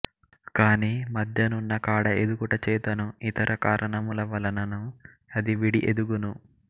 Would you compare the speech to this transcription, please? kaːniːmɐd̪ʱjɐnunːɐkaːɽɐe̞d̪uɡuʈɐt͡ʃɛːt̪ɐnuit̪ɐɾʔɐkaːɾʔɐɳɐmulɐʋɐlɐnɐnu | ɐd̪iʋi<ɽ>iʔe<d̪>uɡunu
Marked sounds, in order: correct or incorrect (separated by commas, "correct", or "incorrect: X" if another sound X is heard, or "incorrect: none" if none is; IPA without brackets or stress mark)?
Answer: correct, correct